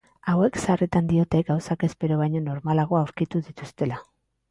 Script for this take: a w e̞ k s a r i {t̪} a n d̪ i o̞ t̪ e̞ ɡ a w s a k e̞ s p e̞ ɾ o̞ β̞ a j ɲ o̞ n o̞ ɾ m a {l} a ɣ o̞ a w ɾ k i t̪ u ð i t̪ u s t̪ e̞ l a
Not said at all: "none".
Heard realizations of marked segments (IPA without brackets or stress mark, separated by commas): t̪, l